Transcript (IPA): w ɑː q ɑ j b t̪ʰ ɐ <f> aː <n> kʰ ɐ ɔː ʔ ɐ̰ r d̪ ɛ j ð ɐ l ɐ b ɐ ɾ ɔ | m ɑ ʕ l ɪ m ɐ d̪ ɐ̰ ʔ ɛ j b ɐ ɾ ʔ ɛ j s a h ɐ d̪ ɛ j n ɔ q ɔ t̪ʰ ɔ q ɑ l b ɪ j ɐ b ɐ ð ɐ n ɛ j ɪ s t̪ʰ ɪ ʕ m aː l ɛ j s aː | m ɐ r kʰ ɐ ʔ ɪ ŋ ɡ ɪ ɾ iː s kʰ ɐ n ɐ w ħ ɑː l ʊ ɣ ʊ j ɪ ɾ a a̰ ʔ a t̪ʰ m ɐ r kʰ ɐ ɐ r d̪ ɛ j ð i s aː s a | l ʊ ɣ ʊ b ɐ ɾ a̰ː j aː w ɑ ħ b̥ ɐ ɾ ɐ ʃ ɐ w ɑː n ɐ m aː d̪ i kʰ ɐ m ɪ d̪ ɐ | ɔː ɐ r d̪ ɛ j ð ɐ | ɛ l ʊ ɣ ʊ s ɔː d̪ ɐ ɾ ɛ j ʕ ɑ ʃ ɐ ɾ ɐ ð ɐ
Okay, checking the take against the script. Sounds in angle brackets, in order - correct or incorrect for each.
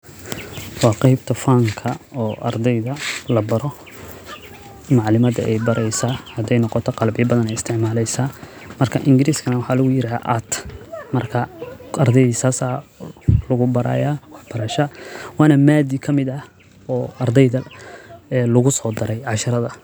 correct, incorrect: ŋ

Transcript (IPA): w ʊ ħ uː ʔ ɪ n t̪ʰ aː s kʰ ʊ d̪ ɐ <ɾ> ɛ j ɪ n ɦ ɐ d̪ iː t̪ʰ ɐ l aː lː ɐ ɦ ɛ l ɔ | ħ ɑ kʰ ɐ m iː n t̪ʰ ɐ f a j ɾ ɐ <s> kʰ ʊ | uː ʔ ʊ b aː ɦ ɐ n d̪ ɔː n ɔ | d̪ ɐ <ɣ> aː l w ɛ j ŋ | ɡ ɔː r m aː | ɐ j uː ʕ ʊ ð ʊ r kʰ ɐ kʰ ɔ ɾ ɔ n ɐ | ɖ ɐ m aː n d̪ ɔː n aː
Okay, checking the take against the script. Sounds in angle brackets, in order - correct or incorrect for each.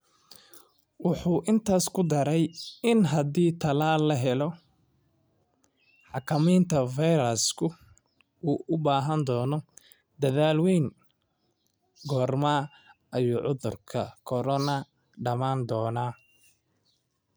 correct, correct, incorrect: ð

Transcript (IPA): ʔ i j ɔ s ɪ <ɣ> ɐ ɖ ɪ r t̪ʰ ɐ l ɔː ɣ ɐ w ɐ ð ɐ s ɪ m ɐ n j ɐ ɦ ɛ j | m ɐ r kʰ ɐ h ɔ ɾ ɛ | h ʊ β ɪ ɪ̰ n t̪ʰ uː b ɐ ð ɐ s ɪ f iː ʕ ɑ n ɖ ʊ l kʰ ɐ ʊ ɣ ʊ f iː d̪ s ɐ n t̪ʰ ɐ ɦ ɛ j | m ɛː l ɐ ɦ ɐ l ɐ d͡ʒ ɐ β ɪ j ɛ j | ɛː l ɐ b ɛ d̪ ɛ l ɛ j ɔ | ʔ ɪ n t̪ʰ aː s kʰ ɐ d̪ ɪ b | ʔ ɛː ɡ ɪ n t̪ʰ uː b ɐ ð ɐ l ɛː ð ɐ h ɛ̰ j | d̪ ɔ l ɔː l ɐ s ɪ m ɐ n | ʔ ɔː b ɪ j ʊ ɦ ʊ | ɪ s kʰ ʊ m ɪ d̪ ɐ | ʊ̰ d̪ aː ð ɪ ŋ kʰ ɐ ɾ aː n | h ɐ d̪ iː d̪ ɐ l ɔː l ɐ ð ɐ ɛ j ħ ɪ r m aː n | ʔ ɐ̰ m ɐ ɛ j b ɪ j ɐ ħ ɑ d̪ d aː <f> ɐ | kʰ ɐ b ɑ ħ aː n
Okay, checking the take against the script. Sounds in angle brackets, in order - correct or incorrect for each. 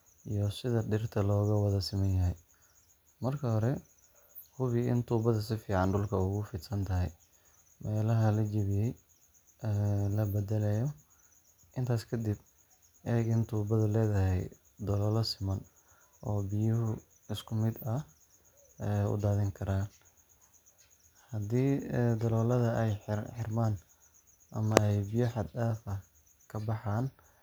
incorrect: ð, correct

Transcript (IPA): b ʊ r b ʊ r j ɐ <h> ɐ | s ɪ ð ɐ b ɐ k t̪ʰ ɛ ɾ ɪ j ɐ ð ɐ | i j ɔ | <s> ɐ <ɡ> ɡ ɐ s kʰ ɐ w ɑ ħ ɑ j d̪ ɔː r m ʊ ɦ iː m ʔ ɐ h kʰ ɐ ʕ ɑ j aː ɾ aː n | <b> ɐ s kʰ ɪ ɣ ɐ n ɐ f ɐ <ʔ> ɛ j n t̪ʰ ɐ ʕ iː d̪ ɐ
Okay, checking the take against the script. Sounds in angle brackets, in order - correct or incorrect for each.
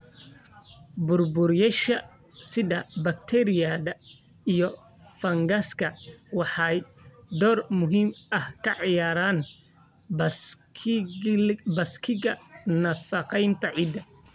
incorrect: ʃ, incorrect: f, incorrect: ŋ, correct, incorrect: q

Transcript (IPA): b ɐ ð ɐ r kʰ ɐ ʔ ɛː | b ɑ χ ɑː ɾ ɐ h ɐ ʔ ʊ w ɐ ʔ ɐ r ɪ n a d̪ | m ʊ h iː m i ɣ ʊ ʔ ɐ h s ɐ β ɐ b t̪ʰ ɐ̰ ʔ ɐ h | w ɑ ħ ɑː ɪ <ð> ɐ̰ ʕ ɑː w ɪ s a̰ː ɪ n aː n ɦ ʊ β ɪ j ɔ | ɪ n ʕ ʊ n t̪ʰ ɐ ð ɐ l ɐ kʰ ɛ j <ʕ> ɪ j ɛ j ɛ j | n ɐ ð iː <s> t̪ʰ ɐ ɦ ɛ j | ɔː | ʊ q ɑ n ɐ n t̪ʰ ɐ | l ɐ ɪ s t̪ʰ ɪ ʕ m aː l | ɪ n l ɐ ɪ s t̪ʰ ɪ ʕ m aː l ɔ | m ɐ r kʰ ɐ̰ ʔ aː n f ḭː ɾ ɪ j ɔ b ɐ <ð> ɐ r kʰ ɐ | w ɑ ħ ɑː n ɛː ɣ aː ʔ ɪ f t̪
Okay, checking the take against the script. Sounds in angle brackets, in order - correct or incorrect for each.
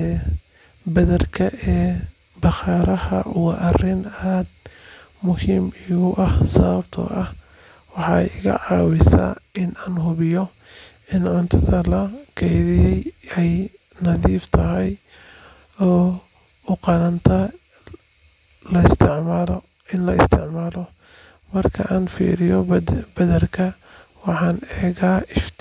incorrect: ɣ, incorrect: ð, incorrect: f, correct

